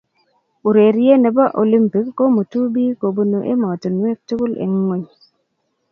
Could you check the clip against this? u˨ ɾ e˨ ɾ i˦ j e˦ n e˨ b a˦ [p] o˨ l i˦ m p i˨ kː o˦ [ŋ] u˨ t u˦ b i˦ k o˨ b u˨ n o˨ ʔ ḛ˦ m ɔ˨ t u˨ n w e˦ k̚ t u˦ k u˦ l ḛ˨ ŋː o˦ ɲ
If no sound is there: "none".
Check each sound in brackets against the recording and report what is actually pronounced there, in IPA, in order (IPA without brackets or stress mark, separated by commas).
ʔ, m